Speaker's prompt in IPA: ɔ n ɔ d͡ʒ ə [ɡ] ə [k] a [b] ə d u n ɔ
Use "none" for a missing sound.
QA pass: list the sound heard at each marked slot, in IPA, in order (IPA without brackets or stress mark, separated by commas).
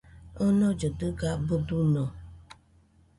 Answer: d, ɡ, b